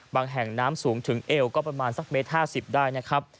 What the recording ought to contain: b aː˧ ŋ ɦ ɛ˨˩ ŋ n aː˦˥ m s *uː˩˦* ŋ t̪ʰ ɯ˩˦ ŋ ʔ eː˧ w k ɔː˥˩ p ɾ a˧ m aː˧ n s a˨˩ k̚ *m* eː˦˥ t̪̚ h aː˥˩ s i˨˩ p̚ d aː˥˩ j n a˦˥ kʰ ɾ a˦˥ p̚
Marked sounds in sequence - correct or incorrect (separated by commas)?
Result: correct, correct